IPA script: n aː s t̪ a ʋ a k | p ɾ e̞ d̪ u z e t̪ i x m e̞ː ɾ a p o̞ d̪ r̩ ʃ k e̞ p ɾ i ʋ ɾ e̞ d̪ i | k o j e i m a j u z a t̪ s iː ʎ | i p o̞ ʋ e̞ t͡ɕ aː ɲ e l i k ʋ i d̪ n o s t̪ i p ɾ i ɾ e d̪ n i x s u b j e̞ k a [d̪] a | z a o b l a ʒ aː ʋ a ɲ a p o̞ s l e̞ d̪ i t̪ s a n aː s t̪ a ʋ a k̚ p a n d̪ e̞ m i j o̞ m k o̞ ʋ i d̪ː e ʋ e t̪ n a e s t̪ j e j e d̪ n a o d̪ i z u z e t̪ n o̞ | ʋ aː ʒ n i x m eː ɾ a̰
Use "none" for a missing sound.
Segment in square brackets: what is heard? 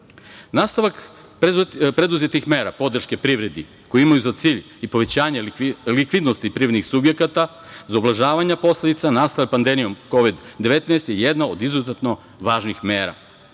t̪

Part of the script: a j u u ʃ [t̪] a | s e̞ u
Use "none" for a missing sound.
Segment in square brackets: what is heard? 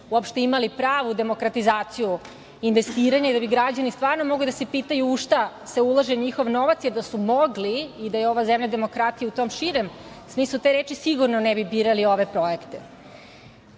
t̪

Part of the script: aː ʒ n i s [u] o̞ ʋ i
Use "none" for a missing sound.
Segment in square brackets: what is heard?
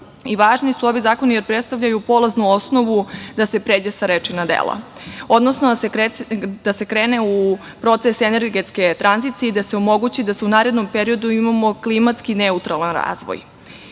u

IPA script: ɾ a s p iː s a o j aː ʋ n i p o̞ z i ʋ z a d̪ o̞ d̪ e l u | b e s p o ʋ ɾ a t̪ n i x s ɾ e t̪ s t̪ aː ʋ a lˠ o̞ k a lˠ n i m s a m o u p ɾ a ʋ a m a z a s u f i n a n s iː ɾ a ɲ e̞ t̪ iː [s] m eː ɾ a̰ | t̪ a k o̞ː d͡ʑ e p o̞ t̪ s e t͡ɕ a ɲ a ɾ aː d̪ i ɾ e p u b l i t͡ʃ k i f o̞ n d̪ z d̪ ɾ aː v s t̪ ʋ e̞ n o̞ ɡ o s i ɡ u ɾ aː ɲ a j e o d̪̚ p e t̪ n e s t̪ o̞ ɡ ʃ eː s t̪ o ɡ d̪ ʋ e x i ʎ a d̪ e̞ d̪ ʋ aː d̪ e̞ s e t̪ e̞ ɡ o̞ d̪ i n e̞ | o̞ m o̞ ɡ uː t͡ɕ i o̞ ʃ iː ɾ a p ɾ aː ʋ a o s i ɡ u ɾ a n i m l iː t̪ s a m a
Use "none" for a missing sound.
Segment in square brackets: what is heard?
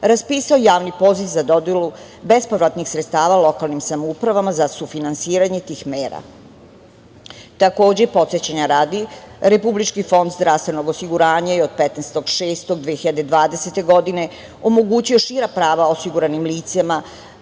x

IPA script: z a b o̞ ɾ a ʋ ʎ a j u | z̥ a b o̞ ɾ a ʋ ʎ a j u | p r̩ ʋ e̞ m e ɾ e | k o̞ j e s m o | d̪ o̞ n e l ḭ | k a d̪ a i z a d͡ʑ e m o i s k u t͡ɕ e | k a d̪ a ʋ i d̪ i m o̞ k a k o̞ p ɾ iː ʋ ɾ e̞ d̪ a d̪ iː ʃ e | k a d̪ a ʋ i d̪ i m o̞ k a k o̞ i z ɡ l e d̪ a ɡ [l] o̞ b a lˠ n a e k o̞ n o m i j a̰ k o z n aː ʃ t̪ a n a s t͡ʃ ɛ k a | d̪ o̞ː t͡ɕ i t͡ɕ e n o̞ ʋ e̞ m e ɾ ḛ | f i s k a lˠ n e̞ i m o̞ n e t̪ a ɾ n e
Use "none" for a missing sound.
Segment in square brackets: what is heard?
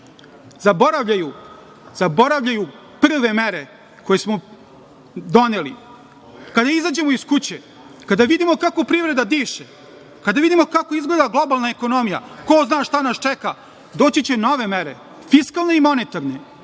l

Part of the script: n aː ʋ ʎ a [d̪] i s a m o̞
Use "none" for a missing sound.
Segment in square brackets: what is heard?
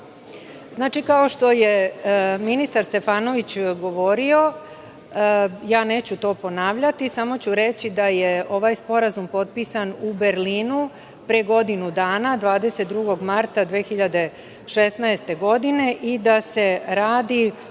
t̪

